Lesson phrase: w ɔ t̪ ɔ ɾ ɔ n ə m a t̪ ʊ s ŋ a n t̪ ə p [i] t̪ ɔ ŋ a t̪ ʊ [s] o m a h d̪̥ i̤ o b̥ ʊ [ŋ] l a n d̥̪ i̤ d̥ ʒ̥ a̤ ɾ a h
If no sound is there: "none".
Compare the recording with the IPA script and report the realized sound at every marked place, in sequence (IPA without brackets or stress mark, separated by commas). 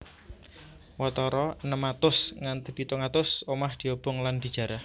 i, s, ŋ